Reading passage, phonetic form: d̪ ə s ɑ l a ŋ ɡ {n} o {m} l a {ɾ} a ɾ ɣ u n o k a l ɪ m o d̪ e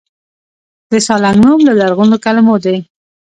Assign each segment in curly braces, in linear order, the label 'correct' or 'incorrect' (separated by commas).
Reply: correct, correct, incorrect